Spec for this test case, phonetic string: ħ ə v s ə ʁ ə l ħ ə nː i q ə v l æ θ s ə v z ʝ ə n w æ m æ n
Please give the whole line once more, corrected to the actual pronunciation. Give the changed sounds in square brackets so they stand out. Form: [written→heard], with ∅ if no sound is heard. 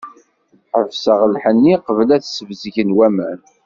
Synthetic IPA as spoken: ħ ə v s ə ʁ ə l ħ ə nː i q ə v l æ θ s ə v z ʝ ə n w æ m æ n